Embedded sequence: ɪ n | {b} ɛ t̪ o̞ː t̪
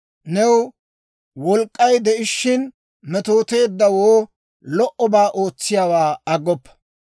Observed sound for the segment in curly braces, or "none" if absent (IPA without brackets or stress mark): m